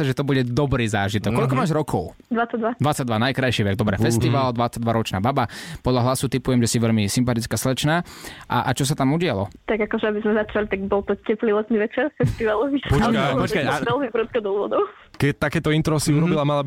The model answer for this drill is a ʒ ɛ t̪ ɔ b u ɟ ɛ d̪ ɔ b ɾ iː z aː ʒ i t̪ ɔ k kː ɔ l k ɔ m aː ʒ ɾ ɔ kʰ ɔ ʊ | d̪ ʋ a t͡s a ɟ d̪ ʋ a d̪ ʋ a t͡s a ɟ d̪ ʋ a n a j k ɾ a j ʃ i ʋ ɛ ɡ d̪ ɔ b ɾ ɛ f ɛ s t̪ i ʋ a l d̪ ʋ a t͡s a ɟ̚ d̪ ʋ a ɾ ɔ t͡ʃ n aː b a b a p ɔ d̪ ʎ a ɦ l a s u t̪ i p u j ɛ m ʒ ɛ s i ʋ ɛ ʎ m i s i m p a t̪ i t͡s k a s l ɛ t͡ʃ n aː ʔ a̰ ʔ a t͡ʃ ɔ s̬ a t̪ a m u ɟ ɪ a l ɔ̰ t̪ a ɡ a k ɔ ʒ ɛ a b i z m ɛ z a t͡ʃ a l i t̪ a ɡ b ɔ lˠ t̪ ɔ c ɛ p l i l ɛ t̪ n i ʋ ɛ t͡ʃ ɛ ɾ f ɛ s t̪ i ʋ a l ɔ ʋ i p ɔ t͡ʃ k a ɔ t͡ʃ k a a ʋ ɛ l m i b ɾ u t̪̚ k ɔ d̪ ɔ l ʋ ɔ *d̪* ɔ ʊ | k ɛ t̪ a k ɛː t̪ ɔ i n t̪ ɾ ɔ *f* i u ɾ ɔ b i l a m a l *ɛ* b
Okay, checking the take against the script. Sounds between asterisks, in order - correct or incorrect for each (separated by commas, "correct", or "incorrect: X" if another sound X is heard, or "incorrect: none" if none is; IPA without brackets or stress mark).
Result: correct, incorrect: s, incorrect: a